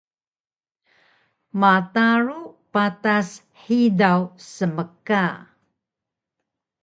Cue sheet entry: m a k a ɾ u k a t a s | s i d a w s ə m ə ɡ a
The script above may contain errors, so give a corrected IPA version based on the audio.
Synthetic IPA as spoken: m a t a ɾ u p a t a s | ħ i d a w s ə m ə k a

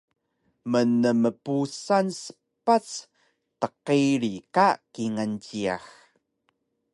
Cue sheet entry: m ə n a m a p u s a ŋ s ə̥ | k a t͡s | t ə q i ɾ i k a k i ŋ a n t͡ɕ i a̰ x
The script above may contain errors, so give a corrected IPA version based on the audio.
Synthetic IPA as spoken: m ə n ə m ə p u s a n s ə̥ | p a t͡s | t ə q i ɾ i k a k i ŋ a n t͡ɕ i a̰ x

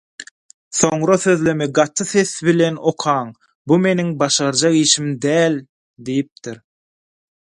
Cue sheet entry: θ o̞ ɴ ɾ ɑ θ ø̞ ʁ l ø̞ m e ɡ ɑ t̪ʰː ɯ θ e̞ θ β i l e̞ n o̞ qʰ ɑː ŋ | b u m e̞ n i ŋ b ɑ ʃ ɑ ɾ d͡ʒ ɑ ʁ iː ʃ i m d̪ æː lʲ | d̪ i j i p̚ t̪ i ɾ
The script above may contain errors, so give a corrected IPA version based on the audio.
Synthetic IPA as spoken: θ o̞ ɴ ɾ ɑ θ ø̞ ð l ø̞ m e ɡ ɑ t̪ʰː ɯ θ e̞ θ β i l e̞ n o̞ qʰ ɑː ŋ | b u m e̞ n i ŋ b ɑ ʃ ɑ ɾ d͡ʒ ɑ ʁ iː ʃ i m d̪ æː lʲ | d̪ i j i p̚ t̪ i ɾ

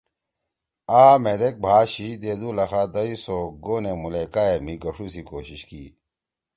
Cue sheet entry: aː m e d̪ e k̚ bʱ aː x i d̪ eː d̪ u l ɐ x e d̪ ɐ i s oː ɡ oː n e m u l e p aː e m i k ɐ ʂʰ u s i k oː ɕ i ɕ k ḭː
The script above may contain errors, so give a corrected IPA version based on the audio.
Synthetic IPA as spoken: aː m e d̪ e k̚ bʱ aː ɕ i d̪ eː d̪ u l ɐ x a d̪ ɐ i s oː ɡ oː n e m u l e k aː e m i ɡ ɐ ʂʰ u s i k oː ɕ i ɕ k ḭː

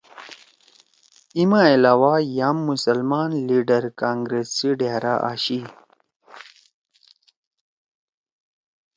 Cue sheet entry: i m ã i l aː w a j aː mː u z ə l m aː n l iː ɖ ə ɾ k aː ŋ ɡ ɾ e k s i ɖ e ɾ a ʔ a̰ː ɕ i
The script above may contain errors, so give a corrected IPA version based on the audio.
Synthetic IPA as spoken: i m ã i l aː w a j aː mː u s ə l m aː n l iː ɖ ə ɾ k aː ŋ ɡ ɾ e s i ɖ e ɾ a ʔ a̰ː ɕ i

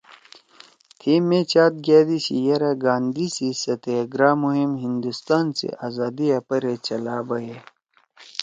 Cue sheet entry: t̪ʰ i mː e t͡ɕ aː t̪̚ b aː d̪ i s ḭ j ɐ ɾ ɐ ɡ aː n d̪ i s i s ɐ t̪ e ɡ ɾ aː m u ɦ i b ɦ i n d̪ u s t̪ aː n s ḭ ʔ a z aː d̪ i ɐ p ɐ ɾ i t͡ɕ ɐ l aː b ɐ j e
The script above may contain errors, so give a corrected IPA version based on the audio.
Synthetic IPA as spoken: t̪ʰ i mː e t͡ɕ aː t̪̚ ɡ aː d̪ i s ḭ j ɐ ɾ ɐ ɡ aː n d̪ i s i s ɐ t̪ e ɡ ɾ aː m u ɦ i m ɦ i n d̪ u s t̪ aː n s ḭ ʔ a z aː d̪ i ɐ p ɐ ɾ e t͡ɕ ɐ l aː b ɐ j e

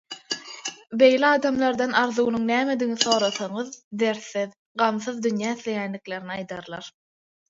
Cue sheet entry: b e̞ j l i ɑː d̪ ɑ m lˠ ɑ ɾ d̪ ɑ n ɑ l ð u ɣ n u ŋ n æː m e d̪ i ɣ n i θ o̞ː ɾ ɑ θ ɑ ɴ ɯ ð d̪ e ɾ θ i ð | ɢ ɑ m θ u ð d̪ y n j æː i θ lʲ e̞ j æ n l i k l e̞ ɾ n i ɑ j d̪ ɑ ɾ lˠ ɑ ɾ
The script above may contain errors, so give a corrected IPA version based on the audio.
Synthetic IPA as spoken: b e̞ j l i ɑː d̪ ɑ m lˠ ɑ ɾ d̪ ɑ n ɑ ɾ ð u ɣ n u ŋ n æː m e d̪ i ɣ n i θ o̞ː ɾ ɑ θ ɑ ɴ ɯ ð d̪ e ɾ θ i ð | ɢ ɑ m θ ɯ ð d̪ y n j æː i θ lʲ e̞ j æ n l i k l e̞ ɾ n i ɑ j d̪ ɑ ɾ lˠ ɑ ɾ

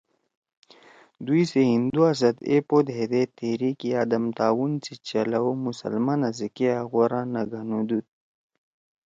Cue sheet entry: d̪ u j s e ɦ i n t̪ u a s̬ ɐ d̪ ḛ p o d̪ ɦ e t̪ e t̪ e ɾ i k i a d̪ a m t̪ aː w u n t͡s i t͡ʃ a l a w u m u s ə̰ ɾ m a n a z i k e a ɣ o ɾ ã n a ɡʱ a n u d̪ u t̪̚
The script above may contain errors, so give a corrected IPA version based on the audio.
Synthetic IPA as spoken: d̪ u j s e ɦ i n d̪ u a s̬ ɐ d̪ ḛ p o d̪ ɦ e d̪ e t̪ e ɾ i k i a d̪ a m t̪ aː w u n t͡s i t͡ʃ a l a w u m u s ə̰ l m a n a z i k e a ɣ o ɾ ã n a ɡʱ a n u d̪ u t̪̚

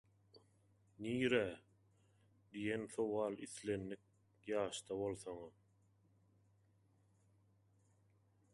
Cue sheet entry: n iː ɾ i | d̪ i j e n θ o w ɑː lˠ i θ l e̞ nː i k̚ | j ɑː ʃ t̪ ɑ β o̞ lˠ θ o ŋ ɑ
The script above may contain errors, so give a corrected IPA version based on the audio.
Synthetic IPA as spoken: n iː ɾ æ | d̪ i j e n θ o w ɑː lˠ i θ l e̞ nː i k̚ | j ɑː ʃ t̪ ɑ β o̞ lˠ θ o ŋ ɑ

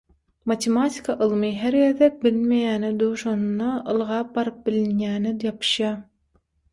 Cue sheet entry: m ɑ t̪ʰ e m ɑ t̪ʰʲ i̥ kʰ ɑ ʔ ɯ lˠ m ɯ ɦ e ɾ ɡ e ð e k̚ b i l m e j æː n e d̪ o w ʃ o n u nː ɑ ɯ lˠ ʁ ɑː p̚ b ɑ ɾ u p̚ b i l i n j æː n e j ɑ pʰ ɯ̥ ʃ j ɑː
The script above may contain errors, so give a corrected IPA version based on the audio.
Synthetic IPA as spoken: m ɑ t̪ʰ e m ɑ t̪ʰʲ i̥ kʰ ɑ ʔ ɯ lˠ m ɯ ɦ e ɾ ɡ e ð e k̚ b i l m e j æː n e d̪ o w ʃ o n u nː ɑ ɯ lˠ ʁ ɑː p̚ b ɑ ɾ ɯ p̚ b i l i n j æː n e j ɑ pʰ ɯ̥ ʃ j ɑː

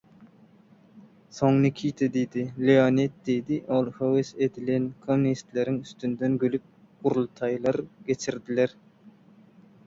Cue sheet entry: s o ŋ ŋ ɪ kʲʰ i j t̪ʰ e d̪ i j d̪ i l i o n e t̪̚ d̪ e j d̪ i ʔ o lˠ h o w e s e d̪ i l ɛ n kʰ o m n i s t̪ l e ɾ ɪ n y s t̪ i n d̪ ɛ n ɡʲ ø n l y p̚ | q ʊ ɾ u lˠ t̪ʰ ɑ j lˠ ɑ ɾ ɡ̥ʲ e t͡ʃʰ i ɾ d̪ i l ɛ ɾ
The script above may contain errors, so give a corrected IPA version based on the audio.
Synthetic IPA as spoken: s o ŋ n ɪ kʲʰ i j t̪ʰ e d̪ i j d̪ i l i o n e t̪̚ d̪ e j d̪ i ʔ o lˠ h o w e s e d̪ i l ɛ n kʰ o m n i s t̪ l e ɾ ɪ ŋ y s t̪ y n d̪ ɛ n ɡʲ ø l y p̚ | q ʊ ɾ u lˠ t̪ʰ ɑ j lˠ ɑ ɾ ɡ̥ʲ e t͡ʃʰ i ɾ d̪ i l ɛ ɾ

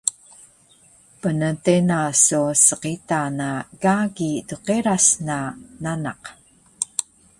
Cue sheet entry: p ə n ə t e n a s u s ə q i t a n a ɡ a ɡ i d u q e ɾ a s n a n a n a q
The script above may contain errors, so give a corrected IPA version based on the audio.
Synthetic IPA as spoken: p ə n ə t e n a s u s ə q i t a n a ɡ a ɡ i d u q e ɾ a s n a n a n a q

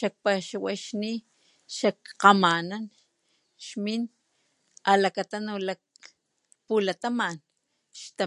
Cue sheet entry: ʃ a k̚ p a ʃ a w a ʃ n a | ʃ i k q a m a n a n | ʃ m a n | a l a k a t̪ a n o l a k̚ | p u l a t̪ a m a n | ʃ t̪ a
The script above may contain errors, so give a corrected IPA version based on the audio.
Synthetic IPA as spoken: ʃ a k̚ p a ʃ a w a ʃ n i | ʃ a k q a m a n a n | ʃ m i n | a l a k a t̪ a n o l a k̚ | p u l a t̪ a m a n | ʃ t̪ a

